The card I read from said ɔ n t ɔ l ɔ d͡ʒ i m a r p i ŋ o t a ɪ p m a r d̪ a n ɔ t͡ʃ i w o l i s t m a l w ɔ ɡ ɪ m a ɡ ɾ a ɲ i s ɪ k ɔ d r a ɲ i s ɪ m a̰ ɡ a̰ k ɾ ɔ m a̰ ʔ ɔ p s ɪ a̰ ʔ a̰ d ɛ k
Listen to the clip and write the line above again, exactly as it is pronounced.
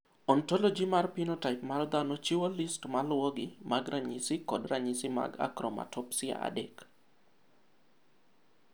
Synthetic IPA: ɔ n t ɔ l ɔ d͡ʒ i m a r p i n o t a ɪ p m a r d̪ a n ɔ t͡ʃ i w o l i s t m a l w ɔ ɡ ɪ m a ɡ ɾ a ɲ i s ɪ k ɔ d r a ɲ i s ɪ m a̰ ɡ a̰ k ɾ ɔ m a̰ t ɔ p s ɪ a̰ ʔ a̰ d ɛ k